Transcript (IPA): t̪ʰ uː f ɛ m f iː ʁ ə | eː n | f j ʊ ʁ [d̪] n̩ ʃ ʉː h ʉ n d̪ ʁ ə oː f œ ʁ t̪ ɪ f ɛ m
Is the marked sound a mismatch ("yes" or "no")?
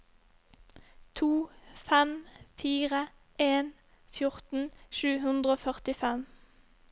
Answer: yes